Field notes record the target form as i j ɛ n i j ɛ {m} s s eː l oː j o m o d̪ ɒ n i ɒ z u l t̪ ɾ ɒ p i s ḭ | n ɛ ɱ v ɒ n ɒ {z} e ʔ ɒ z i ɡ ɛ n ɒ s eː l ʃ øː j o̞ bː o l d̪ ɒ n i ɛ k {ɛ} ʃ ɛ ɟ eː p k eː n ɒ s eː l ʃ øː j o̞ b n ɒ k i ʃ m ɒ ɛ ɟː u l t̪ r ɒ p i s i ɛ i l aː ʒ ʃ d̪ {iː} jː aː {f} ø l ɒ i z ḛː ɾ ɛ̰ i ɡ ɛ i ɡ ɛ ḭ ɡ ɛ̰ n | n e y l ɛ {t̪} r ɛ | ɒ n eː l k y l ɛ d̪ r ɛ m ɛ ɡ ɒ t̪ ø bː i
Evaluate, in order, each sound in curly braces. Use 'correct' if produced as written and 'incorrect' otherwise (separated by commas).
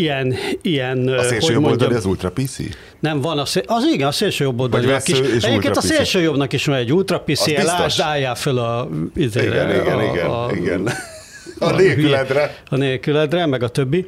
incorrect, incorrect, incorrect, incorrect, correct, incorrect